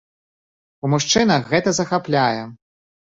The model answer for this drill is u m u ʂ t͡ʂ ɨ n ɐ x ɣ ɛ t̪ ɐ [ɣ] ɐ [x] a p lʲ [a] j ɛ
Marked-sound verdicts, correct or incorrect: incorrect, correct, correct

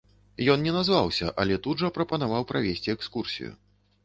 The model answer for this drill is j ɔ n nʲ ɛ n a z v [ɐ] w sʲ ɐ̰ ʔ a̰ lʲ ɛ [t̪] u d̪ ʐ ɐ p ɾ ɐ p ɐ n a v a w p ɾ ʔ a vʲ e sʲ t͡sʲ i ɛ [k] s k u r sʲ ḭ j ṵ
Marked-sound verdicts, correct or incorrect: incorrect, correct, correct

